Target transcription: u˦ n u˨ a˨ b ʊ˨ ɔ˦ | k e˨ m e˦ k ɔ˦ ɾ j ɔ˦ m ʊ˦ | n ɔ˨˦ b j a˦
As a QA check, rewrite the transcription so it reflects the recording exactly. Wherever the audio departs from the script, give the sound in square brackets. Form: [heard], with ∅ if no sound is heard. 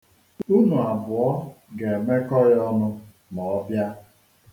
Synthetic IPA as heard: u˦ n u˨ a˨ b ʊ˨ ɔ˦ | [ɡ] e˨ m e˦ k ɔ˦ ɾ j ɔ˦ [n] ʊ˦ | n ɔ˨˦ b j a˦